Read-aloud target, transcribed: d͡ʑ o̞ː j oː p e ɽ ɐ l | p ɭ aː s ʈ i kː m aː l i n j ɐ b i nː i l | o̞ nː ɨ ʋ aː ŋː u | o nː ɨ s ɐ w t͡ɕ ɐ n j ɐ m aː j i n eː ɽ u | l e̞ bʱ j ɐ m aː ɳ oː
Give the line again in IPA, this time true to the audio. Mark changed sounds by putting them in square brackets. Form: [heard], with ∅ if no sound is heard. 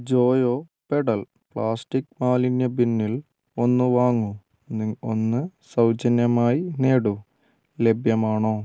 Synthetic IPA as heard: d͡ʑ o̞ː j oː p e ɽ ɐ l | p ɭ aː s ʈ i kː m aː l i n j ɐ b i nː i l | o̞ nː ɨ ʋ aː ŋː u | o nː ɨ s ɐ w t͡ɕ ɐ n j ɐ m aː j i n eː ɽ u | l e̞ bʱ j ɐ m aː ɳ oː

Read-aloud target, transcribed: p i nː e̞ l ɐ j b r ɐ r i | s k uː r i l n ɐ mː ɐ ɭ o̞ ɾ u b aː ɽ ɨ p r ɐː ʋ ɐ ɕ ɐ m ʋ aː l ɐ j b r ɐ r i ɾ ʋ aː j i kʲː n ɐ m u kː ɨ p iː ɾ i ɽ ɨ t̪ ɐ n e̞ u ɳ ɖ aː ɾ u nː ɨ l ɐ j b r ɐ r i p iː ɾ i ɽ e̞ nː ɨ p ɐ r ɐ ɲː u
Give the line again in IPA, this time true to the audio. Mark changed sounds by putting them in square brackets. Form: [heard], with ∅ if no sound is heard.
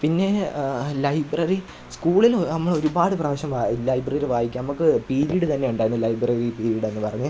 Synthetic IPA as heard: p i nː e̞ l ɐ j b r ɐ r i | s k uː [ɭ] i l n ɐ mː ɐ ɭ o̞ ɾ u b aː ɽ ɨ p r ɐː ʋ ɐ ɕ ɐ m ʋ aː l ɐ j b r ɐ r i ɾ ʋ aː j i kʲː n ɐ m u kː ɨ p iː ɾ i ɽ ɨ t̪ ɐ [nː] e̞ u ɳ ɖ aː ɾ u nː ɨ l ɐ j b r ɐ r i p iː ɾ i ɽ e̞ nː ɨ p ɐ r ɐ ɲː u

